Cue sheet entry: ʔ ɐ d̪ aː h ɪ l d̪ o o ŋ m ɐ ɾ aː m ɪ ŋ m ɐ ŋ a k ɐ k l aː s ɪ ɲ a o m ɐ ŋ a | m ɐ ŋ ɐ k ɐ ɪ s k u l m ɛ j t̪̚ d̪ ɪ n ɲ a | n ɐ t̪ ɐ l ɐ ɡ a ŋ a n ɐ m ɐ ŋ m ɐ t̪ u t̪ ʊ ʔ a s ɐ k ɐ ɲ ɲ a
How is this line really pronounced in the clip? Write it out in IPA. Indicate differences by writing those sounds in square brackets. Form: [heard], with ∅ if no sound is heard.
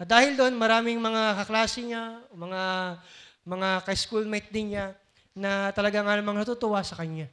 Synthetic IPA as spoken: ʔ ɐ d̪ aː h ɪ l d̪ o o [n] m ɐ ɾ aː m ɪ ŋ m ɐ ŋ a k ɐ k l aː s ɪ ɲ a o m ɐ ŋ a | m ɐ ŋ [a] k ɐ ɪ s k u l m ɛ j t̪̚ d̪ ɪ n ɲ a | n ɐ t̪ ɐ l ɐ ɡ a ŋ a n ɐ m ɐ ŋ [n] ɐ t̪ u t̪ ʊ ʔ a s ɐ k ɐ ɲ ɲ a